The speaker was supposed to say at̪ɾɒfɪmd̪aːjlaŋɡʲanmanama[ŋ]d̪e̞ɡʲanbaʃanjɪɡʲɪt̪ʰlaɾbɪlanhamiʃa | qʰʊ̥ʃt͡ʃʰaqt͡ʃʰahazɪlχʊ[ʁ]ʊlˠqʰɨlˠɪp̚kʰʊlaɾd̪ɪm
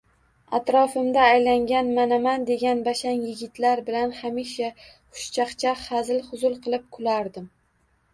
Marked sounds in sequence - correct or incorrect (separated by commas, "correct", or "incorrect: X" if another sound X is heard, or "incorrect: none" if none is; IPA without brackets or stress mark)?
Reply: incorrect: n, incorrect: z